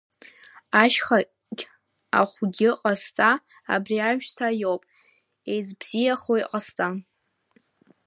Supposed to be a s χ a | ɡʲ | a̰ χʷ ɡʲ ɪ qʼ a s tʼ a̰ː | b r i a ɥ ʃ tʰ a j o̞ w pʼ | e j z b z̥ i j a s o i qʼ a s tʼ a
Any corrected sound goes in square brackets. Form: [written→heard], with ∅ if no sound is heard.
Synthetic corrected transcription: a [s→ʃ] χ a | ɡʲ | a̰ χʷ ɡʲ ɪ qʼ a s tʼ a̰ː | b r i a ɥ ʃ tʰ a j o̞ w pʼ | e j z b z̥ i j a [s→χ] o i qʼ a s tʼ a